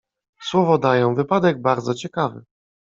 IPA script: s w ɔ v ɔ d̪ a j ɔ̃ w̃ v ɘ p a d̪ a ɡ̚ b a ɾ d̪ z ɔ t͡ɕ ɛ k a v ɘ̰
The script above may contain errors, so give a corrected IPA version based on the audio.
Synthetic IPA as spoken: s w ɔ v ɔ d̪ a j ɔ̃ w̃ v ɘ p a d̪ ɛ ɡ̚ b a ɾ d̪ z ɔ t͡ɕ ɛ k a v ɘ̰